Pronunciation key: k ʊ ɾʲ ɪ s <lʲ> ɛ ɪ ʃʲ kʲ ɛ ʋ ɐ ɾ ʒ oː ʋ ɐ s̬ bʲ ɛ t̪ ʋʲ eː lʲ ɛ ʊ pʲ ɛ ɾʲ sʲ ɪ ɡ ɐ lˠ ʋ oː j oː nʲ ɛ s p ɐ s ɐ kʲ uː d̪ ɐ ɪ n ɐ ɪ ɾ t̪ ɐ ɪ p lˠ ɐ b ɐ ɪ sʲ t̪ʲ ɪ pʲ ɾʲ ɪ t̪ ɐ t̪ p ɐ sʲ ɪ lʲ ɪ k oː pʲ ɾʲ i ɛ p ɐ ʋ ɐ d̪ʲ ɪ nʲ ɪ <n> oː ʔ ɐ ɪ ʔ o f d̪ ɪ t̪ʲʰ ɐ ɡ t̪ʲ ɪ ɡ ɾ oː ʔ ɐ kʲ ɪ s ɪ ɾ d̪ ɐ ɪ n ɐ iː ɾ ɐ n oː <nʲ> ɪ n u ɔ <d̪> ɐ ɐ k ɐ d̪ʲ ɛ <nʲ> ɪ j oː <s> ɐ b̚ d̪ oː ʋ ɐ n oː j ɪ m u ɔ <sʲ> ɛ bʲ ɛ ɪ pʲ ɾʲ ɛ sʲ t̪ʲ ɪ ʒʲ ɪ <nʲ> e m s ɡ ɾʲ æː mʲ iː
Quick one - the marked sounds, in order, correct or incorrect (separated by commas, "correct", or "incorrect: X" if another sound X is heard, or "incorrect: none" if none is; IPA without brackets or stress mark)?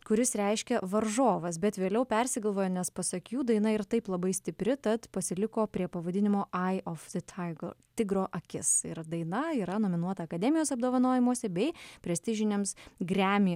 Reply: incorrect: ɾʲ, incorrect: m, incorrect: mʲ, incorrect: t̪, incorrect: mʲ, correct, correct, correct